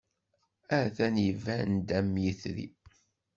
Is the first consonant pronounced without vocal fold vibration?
yes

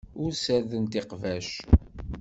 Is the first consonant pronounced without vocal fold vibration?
no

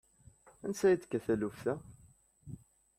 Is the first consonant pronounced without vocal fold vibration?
no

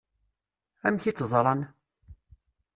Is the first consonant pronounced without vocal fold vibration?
no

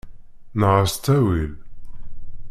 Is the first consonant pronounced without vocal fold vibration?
no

